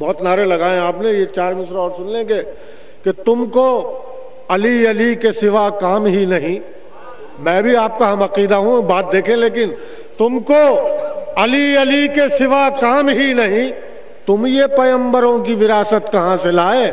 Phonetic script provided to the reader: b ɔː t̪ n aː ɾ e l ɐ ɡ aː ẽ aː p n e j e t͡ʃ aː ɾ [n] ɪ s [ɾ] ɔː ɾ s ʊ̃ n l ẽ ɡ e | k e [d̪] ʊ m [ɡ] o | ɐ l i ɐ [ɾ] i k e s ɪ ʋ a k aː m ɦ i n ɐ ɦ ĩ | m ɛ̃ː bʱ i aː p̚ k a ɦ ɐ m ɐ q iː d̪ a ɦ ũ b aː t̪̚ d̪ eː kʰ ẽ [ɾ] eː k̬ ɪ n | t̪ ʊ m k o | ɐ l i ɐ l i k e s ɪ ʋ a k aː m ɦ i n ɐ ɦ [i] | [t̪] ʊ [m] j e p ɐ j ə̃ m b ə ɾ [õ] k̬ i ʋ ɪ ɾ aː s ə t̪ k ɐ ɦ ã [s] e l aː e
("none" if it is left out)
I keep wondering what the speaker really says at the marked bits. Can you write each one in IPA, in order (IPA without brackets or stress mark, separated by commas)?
m, ɾ, t̪, k, l, l, ĩ, t̪, m, õ, s